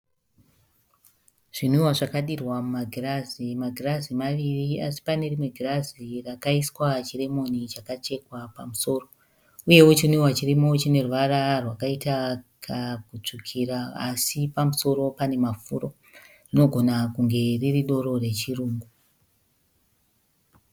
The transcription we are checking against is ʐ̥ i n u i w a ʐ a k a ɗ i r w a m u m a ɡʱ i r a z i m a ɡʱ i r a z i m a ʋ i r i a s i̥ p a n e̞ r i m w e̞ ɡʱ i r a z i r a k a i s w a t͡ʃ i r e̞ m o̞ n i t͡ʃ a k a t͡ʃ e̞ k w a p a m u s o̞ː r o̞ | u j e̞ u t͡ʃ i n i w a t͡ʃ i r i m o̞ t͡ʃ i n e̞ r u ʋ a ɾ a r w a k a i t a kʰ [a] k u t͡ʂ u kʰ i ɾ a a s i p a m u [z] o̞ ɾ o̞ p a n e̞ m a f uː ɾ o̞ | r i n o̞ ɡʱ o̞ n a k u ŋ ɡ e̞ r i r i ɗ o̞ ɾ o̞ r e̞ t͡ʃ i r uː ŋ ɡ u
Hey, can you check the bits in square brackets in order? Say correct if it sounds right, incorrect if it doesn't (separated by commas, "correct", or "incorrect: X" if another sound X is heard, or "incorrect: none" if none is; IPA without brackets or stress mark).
correct, incorrect: s